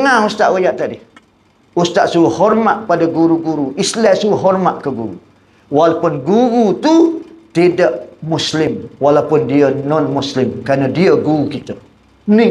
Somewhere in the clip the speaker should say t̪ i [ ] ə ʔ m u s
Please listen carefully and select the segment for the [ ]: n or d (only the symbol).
d